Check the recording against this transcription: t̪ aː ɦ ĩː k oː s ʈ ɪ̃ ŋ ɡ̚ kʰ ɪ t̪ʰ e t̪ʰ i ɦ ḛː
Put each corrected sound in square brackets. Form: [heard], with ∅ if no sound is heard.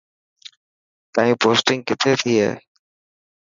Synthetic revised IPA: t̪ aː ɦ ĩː [p] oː s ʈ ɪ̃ ŋ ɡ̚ [k] ɪ t̪ʰ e t̪ʰ i ɦ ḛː